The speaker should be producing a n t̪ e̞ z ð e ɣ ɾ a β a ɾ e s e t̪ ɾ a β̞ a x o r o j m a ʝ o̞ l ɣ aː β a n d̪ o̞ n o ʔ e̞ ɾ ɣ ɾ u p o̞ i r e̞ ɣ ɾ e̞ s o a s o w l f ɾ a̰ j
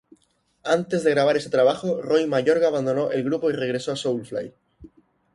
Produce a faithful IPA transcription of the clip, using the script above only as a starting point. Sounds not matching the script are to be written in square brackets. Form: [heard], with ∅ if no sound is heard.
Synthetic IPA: a n t̪ e̞ z ð e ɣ ɾ a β a ɾ e s e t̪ ɾ a β̞ a x o r o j m a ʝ o̞ [ɾ] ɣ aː β a n d̪ o̞ n o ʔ e̞ [l] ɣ ɾ u p o̞ i r e̞ ɣ ɾ e̞ s o a s o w l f [l] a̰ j